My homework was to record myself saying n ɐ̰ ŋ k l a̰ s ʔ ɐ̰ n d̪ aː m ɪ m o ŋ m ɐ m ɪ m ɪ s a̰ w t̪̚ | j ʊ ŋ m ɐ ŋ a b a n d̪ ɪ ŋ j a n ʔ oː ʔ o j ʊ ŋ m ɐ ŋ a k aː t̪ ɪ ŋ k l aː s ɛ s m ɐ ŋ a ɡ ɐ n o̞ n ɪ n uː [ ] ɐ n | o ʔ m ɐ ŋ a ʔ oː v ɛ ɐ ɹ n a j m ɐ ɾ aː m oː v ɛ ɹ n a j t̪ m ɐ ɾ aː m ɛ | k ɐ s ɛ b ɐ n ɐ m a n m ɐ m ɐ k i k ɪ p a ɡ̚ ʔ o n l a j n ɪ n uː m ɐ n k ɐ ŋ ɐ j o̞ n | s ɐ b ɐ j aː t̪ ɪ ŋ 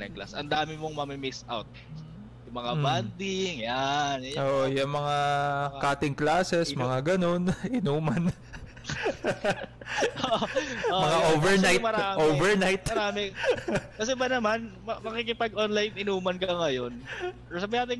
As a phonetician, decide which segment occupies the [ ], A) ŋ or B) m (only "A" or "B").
B